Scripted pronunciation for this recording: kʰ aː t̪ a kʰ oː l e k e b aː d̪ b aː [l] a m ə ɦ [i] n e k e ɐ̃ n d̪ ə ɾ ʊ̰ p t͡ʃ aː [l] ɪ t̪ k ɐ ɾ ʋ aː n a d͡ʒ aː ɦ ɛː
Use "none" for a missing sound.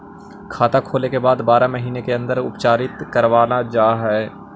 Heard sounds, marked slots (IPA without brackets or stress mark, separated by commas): ɾ, iː, ɾ